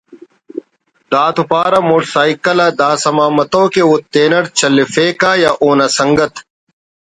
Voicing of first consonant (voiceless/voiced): voiced